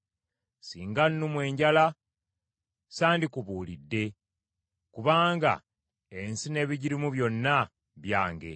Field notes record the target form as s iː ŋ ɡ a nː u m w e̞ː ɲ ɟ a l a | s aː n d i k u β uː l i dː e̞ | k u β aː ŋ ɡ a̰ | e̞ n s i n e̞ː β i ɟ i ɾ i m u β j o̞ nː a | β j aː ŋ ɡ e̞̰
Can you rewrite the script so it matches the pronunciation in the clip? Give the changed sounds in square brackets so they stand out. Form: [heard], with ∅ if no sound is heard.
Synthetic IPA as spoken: s iː ŋ ɡ a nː u m w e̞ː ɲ ɟ a l a | s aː n d i k u β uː l i dː e̞ | k u β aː ŋ ɡ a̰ | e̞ n s i n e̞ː β i ɟ i ɾ i m u β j o̞ nː a | β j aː ŋ ɡ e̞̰